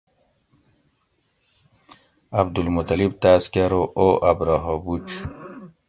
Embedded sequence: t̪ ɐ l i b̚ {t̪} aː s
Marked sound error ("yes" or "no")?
no